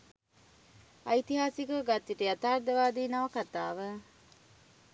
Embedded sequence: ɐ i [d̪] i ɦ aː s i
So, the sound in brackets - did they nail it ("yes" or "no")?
no